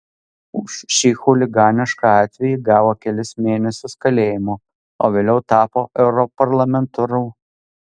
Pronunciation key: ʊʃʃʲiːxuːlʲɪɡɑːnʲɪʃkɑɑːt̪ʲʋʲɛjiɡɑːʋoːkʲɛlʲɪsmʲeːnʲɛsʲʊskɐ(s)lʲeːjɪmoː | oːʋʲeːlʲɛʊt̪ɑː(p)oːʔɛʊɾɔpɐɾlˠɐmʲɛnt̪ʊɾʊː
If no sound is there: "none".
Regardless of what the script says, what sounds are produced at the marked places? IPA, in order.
none, p

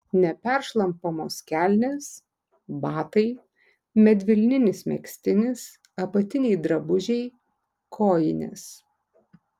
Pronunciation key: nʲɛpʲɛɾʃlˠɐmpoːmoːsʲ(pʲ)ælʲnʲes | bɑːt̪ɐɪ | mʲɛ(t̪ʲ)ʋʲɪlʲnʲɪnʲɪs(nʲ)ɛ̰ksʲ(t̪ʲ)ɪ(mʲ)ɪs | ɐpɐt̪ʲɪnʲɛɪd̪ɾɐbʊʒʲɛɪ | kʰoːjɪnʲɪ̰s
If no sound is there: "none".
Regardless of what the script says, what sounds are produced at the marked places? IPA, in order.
kʲ, d̪ʲ, mʲ, t̪ʲ, nʲ

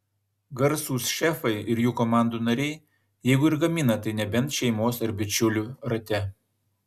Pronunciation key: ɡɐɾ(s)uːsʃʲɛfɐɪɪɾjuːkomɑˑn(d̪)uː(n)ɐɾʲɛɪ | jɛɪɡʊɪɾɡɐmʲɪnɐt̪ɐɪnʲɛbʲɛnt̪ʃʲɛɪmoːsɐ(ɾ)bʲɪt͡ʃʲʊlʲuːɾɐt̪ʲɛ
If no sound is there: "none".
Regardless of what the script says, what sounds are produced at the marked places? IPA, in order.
s, d̪, n, ɾ

